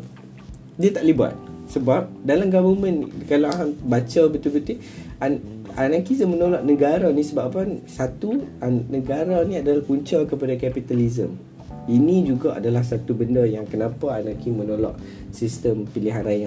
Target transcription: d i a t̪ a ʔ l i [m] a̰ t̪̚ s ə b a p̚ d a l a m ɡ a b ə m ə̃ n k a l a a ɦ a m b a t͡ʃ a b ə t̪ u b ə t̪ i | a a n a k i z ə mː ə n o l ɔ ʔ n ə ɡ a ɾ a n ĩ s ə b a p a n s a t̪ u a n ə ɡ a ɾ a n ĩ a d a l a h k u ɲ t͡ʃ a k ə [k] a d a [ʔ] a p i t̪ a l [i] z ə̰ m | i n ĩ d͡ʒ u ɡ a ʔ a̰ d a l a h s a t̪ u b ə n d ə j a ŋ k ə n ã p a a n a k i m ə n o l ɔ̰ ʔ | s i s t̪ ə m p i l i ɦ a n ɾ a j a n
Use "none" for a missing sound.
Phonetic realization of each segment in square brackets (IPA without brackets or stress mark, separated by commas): b, p, k, i